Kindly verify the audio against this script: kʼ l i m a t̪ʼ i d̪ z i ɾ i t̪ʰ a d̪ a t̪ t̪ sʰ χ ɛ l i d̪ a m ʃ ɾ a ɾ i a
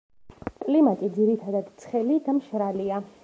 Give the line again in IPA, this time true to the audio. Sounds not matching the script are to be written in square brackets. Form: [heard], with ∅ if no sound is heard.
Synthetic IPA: kʼ l i m a t̪ʼ i d̪ z i ɾ i t̪ʰ a d̪ a [d̪] t̪ sʰ χ ɛ l i d̪ a m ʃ ɾ a [l] i a